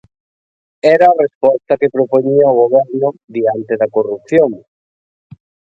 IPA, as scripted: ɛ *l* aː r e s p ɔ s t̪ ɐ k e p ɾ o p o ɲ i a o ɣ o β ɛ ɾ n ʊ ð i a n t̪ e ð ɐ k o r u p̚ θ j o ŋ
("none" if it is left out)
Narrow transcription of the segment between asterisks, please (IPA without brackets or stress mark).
ɾ